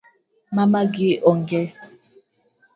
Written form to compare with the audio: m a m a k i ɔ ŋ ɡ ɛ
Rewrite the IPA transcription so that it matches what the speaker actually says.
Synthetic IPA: m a m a ɡ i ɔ ŋ ɡ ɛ